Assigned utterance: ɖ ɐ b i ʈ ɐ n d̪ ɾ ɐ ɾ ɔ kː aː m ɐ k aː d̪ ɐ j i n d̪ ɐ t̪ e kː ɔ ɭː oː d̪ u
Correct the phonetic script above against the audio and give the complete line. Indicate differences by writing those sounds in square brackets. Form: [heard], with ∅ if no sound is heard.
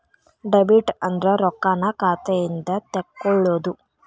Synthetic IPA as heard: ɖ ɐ b i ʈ ɐ n d̪ ɾ ɐ ɾ ɔ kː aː [n] ɐ k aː [t̪] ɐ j i n d̪ ɐ t̪ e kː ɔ ɭː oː d̪ u